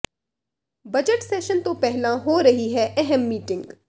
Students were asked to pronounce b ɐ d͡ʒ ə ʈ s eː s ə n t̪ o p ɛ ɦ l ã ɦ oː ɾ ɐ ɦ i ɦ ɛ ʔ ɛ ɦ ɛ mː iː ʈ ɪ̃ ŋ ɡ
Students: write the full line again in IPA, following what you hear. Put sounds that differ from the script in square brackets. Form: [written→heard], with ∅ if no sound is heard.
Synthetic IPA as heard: b ɐ d͡ʒ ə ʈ s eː [s→ʃ] ə n t̪ o p ɛ ɦ l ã ɦ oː ɾ ɐ ɦ i ɦ ɛ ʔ ɛ ɦ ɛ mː iː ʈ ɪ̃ ŋ ɡ